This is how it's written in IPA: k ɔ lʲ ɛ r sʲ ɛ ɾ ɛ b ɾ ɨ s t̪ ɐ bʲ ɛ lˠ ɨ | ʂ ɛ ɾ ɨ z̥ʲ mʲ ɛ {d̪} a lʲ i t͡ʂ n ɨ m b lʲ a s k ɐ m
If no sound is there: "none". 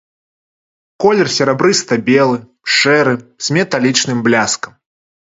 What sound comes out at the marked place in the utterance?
t̪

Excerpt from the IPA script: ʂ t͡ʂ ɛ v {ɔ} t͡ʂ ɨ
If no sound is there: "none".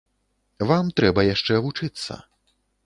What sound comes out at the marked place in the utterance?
u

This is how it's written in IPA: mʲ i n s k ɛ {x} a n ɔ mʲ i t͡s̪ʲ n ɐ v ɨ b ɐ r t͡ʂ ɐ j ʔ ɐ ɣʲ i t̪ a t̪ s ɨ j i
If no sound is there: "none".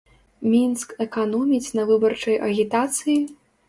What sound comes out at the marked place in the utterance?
k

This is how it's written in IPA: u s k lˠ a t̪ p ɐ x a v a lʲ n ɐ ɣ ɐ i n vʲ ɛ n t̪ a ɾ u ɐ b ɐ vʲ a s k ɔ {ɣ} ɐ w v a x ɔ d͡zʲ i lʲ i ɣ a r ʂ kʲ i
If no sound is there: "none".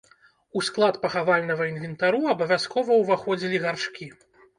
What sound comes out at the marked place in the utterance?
v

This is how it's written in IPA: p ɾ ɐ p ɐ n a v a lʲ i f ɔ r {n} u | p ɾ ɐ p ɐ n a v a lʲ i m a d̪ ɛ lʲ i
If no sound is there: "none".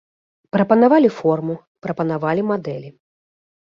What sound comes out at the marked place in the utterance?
m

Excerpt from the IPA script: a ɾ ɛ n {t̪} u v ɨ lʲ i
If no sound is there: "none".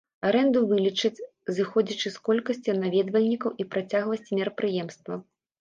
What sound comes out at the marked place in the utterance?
d̪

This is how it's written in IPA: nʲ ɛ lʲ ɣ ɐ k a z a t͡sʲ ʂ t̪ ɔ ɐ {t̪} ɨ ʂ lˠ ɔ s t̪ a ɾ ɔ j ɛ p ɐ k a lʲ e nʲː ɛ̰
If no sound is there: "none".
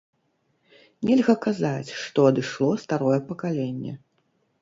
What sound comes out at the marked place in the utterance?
d̪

